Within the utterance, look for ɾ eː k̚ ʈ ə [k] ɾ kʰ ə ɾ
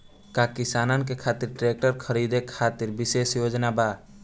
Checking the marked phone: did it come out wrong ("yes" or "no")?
yes